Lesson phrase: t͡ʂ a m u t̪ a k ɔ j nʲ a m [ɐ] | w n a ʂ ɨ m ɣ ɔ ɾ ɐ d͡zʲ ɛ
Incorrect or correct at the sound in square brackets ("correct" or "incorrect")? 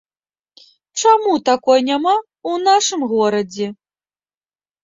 incorrect